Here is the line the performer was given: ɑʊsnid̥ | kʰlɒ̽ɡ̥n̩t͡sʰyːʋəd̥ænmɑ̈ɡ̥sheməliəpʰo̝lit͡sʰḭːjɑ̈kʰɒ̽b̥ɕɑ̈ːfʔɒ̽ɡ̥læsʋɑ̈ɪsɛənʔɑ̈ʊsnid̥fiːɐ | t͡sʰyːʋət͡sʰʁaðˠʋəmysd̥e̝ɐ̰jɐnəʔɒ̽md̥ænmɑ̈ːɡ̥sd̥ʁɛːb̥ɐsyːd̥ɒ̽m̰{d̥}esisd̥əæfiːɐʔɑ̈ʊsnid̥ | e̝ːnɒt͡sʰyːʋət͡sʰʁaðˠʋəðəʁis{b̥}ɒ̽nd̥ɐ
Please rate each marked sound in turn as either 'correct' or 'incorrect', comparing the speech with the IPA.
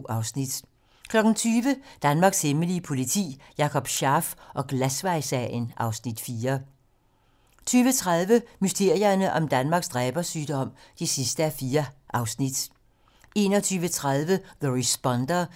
correct, correct

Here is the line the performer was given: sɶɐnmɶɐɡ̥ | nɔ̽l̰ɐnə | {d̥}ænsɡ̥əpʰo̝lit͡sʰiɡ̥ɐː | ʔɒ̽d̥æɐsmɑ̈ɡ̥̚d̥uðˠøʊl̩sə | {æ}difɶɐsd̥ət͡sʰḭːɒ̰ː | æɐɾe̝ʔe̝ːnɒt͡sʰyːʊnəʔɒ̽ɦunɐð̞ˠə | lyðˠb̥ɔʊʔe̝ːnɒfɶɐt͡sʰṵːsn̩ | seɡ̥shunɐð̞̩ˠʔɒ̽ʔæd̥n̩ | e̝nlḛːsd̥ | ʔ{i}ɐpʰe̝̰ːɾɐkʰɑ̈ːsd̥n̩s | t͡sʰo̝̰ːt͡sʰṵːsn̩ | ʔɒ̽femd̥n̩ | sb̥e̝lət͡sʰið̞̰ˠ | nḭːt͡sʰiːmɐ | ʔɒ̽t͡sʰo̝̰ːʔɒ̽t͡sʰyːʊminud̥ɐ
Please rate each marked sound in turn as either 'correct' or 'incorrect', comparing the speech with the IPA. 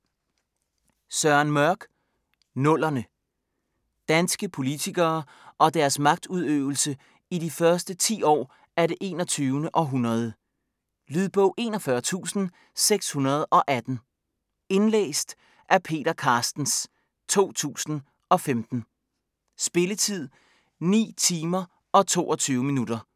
correct, incorrect: i, incorrect: æ

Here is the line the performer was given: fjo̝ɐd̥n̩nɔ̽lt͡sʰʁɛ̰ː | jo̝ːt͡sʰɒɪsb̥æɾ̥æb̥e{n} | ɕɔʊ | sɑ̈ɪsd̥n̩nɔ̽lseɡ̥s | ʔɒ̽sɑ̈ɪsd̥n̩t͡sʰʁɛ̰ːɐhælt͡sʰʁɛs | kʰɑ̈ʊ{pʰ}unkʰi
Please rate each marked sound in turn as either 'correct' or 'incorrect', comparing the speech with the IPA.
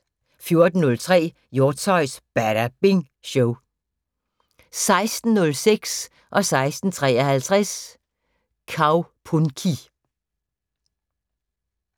incorrect: ŋ, correct

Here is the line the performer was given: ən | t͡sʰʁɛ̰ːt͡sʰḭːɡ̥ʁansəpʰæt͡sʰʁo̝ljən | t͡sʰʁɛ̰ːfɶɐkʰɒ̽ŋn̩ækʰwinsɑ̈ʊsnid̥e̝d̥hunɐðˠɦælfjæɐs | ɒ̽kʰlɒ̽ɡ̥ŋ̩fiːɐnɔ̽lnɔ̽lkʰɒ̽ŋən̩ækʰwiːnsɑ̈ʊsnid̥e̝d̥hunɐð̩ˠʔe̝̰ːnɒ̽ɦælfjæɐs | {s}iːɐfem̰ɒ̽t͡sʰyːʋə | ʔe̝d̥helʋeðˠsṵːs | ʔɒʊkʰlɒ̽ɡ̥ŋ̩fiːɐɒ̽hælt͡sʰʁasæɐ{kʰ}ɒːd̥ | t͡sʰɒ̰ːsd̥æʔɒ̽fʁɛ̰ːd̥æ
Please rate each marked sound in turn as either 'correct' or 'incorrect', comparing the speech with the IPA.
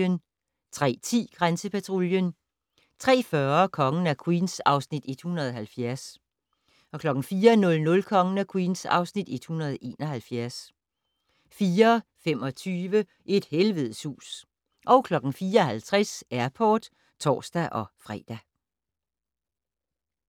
incorrect: f, incorrect: pʰ

